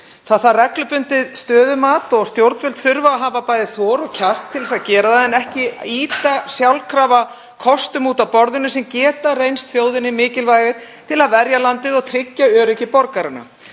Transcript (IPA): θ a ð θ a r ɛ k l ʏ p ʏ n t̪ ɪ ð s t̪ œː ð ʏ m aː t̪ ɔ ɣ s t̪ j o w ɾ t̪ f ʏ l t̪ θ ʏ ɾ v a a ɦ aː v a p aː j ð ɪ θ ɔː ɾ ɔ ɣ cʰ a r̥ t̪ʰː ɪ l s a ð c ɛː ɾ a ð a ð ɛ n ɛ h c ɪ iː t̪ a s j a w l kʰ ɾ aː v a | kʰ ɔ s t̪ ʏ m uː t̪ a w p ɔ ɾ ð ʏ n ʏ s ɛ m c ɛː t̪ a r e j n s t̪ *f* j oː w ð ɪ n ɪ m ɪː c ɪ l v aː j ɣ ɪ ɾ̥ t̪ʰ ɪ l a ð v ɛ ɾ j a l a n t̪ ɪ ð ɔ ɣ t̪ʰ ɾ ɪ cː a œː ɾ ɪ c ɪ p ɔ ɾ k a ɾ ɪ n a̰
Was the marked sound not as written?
yes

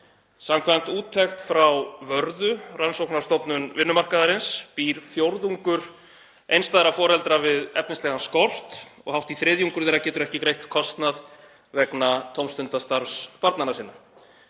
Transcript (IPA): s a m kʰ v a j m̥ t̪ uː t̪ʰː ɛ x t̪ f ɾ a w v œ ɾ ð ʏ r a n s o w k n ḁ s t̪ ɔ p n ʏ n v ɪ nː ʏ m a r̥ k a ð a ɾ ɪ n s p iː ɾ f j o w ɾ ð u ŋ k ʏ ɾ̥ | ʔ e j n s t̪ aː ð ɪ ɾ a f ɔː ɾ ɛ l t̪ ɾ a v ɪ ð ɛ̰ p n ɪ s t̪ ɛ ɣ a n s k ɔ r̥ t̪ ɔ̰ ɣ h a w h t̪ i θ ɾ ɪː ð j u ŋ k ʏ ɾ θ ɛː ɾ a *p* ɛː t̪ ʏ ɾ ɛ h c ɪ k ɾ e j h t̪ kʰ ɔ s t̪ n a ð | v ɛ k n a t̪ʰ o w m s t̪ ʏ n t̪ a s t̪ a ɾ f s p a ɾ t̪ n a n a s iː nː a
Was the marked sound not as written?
yes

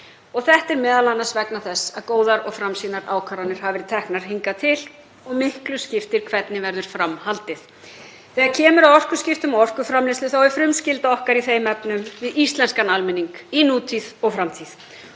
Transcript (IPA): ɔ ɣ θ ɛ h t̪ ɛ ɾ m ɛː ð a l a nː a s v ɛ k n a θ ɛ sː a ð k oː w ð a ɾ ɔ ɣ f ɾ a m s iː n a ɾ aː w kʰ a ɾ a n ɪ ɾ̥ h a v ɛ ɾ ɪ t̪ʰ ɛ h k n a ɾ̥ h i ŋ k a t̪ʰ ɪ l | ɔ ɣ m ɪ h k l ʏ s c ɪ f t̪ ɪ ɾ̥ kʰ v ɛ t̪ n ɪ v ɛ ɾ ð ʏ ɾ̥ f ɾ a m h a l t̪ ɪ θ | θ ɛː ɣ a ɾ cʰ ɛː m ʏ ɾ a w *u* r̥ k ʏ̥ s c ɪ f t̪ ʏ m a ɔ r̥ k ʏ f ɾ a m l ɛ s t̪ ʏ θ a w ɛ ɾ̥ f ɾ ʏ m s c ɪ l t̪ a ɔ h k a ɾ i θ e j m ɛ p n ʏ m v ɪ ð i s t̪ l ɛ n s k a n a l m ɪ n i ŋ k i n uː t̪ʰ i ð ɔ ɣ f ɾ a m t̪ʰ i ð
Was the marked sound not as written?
yes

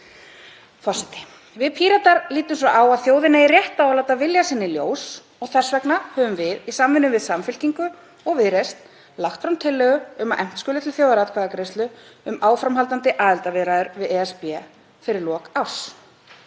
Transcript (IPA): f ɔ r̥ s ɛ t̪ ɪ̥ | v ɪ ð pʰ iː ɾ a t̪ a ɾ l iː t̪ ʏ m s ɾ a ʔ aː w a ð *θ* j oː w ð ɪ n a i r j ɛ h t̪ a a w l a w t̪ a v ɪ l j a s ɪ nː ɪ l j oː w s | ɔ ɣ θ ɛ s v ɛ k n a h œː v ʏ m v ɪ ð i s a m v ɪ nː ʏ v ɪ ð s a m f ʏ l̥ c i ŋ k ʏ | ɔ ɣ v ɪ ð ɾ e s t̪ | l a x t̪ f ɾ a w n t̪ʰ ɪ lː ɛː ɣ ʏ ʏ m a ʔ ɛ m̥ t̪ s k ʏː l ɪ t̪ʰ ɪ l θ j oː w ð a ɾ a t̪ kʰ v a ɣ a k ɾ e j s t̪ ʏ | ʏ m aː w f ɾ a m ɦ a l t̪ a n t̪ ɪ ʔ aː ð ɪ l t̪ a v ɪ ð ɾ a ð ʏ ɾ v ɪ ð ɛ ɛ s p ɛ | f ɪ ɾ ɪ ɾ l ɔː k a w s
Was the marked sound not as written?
no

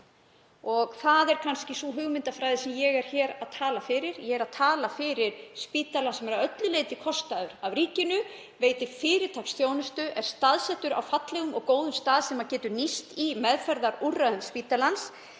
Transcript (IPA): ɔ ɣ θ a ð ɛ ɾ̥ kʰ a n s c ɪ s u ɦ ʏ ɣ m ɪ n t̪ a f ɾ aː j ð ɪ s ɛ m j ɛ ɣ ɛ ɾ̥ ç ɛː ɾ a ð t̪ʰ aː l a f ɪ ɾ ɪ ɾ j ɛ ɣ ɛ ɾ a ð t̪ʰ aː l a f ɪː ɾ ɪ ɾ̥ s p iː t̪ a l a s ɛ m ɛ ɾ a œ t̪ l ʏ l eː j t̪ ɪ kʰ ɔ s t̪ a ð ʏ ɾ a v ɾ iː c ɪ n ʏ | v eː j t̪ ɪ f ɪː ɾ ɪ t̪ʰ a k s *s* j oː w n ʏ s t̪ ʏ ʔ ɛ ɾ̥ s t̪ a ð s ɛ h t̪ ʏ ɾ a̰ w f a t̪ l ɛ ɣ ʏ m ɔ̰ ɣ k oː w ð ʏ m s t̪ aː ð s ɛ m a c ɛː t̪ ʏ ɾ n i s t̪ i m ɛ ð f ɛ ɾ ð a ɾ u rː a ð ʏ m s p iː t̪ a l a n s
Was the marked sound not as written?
yes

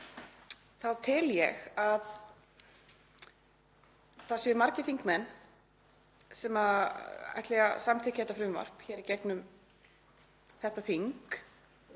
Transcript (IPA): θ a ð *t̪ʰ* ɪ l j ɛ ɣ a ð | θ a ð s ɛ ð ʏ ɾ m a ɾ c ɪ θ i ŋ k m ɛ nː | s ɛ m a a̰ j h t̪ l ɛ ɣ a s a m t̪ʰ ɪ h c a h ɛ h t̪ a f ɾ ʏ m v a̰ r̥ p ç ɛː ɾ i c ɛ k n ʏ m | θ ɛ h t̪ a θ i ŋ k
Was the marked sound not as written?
no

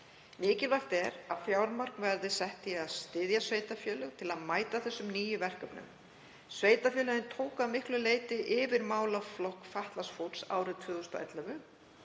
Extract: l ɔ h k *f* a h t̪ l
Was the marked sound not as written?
no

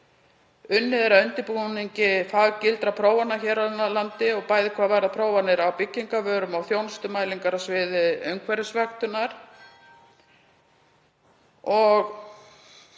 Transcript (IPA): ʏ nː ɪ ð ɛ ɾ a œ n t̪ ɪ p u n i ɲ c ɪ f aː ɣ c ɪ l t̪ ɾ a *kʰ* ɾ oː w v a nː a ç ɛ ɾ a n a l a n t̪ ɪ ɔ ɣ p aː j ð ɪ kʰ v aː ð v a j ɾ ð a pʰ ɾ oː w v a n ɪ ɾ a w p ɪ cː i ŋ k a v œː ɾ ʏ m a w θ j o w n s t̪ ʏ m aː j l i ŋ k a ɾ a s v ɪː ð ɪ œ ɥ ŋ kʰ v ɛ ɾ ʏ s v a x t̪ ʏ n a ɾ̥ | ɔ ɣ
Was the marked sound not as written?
yes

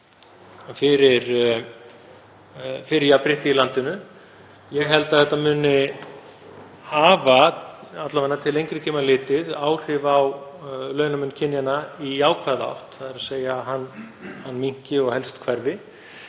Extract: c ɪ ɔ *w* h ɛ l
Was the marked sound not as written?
yes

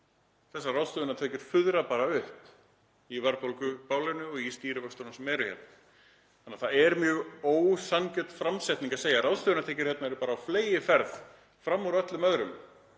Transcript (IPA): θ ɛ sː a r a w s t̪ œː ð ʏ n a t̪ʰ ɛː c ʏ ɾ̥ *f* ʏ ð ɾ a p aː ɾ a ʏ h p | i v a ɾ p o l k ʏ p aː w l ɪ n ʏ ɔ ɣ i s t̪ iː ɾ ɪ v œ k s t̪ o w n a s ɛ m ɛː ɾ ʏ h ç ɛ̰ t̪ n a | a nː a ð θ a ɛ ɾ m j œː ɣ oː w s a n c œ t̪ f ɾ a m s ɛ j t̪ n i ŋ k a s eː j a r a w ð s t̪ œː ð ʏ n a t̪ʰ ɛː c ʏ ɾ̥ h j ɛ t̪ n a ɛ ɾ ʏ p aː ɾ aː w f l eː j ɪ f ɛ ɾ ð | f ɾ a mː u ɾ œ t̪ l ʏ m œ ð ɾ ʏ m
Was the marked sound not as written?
no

